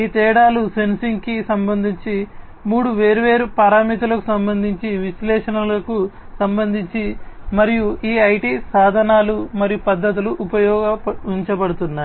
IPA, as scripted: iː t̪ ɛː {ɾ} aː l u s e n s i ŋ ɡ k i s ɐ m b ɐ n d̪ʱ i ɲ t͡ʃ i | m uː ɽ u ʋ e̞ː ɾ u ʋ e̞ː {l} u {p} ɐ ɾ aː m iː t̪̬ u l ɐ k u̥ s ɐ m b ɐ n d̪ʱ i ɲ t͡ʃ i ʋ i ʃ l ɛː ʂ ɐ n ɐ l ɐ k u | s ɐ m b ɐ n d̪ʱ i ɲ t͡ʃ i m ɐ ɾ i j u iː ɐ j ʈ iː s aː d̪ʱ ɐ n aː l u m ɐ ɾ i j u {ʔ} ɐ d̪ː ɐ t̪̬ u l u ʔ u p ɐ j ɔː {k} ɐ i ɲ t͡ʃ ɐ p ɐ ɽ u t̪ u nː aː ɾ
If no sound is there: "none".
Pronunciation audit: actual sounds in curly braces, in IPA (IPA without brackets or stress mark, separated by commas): ɽ, ɾ, p, p, ɡ